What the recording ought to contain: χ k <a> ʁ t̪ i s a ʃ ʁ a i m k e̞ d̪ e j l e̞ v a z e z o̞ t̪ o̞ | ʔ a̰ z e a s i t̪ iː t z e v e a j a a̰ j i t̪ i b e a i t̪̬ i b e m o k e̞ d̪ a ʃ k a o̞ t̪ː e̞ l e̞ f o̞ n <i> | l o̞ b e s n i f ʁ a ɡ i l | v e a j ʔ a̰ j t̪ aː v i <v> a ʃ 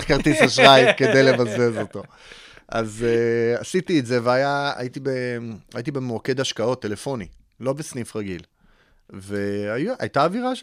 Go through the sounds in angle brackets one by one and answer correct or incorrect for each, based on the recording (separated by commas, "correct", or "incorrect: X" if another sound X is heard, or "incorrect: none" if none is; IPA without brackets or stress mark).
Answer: correct, correct, incorrect: ʁ